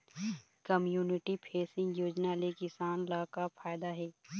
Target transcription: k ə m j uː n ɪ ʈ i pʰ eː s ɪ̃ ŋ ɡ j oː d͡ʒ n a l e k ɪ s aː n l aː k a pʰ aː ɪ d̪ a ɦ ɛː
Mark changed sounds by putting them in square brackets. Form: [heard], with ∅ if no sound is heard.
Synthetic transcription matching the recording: k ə m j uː n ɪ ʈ i pʰ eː s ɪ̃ ŋ ɡ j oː d͡ʒ n a l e k ɪ s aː n l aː k a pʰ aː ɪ d̪ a ɦ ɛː